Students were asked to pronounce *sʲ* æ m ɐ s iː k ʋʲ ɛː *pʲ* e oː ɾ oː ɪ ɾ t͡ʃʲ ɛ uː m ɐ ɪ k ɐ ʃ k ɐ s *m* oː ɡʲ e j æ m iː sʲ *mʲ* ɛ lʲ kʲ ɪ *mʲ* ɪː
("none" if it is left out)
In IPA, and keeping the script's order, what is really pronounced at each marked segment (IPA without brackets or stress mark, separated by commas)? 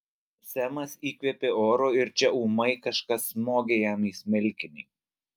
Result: sʲ, pʲ, m, mʲ, nʲ